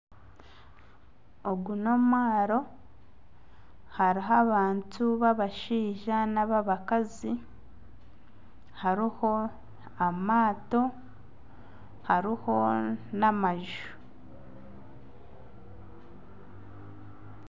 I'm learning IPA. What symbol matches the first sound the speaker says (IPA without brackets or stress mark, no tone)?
o